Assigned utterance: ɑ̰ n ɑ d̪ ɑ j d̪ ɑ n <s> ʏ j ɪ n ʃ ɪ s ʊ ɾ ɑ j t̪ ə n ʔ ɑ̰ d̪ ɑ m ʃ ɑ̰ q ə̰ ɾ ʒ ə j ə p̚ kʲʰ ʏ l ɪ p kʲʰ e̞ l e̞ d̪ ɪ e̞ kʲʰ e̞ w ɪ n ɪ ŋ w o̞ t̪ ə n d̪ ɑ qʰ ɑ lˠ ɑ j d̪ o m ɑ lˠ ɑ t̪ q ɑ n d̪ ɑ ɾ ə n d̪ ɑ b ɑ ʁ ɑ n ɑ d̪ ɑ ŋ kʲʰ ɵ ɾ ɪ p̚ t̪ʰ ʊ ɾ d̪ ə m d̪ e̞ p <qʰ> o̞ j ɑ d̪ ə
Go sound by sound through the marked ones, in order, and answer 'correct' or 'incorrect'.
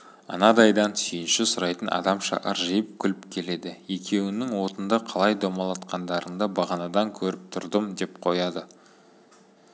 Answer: correct, correct

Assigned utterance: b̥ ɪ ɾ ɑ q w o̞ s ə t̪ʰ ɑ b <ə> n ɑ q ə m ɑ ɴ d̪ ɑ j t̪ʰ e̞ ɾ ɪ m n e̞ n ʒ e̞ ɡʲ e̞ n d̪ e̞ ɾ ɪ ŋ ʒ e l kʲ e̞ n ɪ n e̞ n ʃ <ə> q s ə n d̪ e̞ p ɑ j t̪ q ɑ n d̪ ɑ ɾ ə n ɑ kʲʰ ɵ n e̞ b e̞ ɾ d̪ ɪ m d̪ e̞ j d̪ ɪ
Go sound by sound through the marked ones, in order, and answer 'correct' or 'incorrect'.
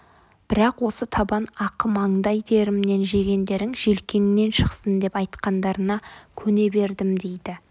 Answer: incorrect: ɑ, correct

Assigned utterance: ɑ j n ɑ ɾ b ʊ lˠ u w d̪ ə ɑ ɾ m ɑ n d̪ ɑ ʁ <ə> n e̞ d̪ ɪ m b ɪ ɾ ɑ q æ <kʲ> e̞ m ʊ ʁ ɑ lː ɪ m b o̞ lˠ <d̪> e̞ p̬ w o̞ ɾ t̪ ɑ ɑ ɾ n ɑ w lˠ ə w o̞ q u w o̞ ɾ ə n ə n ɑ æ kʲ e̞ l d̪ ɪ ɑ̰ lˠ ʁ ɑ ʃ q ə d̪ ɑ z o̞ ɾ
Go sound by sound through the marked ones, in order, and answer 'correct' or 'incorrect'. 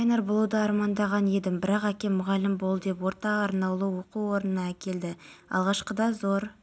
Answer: incorrect: ɑ, correct, correct

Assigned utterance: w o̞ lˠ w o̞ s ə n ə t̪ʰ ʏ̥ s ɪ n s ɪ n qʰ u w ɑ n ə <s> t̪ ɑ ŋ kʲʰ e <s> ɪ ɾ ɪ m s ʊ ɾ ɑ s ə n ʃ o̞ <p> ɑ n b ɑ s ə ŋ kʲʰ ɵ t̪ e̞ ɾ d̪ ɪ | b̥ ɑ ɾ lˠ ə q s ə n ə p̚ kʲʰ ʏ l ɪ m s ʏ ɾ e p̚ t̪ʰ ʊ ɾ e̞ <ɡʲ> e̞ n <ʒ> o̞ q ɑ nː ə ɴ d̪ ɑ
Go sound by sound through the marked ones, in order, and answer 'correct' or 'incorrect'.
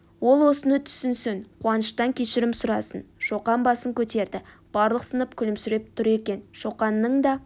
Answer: incorrect: ʃ, incorrect: ʃ, incorrect: q, incorrect: kʲ, incorrect: ʃ

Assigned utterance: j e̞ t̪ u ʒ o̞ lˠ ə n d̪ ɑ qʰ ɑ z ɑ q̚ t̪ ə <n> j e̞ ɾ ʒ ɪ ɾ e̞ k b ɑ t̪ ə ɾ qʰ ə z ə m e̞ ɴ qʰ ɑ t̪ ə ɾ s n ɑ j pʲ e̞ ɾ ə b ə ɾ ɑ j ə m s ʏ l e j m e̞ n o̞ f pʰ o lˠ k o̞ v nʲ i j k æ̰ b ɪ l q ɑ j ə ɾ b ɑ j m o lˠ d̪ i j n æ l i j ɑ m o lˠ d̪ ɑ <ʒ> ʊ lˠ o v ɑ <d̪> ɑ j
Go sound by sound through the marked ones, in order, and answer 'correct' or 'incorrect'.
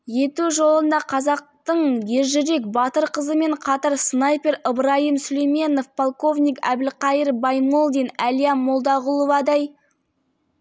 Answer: incorrect: ɴ, incorrect: ʁ, correct

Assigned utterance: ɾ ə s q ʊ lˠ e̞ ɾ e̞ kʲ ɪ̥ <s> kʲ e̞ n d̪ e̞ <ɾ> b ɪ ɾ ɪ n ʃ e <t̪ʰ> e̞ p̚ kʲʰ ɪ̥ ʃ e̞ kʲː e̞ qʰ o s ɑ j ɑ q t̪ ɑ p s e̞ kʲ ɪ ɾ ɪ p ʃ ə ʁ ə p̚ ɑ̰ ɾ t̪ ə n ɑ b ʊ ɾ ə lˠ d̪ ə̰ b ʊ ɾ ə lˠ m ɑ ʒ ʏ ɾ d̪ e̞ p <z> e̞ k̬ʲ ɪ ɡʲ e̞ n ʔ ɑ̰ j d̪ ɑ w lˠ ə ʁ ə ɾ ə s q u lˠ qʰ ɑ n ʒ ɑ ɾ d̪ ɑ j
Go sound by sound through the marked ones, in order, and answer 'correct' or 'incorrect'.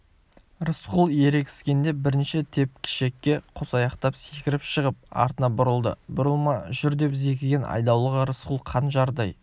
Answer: correct, incorrect: none, correct, correct

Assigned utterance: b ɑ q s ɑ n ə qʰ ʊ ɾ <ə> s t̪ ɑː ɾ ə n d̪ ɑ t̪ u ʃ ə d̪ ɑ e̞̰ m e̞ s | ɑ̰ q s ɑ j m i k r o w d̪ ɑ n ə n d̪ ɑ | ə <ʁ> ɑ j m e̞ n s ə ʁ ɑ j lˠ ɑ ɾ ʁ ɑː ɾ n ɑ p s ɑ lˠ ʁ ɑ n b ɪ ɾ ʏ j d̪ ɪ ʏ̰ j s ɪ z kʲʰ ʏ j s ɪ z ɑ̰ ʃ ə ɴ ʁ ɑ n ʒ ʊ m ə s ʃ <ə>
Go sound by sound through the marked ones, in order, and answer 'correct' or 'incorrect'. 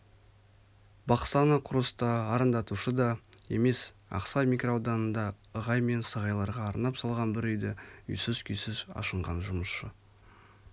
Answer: correct, correct, correct

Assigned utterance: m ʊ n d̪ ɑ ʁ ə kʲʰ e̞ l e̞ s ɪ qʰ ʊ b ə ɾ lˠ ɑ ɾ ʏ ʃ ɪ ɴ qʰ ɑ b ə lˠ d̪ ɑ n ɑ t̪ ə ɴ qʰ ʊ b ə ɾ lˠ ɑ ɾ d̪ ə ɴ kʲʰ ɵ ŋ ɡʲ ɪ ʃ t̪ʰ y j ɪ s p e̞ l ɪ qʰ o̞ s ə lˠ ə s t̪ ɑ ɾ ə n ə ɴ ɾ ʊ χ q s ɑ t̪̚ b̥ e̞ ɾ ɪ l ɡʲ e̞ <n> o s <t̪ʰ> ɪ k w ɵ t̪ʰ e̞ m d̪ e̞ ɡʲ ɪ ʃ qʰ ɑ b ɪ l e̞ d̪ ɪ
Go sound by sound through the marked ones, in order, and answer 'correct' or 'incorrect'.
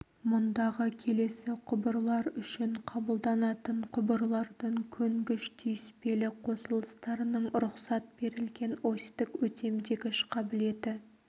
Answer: correct, incorrect: t̪

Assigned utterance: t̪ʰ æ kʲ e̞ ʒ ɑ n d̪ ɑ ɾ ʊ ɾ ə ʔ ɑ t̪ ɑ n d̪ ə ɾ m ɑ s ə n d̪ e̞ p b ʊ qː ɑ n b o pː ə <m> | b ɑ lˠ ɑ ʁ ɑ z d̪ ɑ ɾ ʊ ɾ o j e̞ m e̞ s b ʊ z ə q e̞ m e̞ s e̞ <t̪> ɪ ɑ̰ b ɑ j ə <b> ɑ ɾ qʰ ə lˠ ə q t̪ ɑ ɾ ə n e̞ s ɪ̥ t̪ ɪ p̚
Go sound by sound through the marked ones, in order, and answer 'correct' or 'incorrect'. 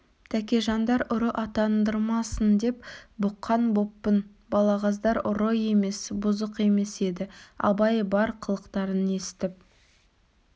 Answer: incorrect: n, incorrect: d̪, correct

